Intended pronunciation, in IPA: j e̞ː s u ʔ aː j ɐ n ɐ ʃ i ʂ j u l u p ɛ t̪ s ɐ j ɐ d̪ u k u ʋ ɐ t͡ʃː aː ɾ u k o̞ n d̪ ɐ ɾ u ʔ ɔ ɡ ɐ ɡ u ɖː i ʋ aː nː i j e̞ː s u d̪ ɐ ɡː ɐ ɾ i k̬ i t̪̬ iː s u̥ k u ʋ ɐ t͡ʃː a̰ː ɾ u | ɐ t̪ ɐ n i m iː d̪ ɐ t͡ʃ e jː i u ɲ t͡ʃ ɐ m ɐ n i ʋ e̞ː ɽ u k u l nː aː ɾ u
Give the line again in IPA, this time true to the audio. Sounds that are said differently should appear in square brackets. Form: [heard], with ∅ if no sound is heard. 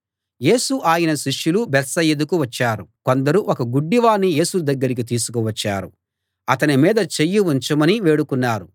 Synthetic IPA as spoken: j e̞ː s u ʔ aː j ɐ n ɐ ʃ i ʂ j u l u [b] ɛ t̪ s ɐ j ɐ d̪ u k u ʋ ɐ t͡ʃː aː ɾ u k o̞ n d̪ ɐ ɾ u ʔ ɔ [k] ɐ ɡ u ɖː i ʋ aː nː i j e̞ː s u d̪ ɐ ɡː ɐ ɾ i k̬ i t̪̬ iː s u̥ k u ʋ ɐ t͡ʃː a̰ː ɾ u | ɐ t̪ ɐ n i m iː d̪ ɐ t͡ʃ e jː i u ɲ t͡ʃ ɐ m ɐ n i ʋ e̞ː ɽ u k u [∅] nː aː ɾ u